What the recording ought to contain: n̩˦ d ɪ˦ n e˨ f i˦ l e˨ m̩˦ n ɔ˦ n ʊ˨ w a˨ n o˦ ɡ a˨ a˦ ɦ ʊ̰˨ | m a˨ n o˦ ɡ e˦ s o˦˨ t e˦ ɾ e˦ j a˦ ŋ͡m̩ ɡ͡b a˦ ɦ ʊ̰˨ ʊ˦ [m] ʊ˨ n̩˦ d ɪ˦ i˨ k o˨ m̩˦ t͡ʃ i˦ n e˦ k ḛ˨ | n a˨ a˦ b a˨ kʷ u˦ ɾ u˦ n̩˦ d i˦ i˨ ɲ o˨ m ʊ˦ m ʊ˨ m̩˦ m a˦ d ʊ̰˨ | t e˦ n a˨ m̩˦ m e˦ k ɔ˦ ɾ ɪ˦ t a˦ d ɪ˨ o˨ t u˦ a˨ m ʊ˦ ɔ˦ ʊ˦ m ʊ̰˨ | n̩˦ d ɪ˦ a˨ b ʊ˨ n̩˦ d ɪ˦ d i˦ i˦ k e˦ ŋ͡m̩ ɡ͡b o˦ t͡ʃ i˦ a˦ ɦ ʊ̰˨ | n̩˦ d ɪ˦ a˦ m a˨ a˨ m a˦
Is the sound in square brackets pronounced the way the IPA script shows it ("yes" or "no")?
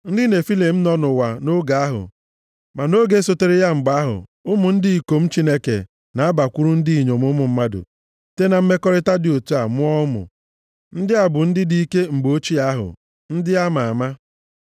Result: yes